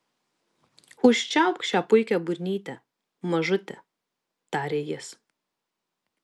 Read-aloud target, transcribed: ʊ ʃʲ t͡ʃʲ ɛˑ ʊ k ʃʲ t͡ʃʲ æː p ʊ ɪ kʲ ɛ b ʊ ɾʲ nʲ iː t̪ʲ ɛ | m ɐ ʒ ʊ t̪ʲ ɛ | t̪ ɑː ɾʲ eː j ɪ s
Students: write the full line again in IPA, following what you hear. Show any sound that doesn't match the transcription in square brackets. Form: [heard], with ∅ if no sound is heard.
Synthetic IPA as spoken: ʊ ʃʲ t͡ʃʲ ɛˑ ʊ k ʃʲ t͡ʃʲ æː p ʊ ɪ kʲ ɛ b ʊ ɾʲ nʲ iː t̪ʲ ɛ | m ɐ ʒ ʊ t̪ʲ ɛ | t̪ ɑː ɾʲ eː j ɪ s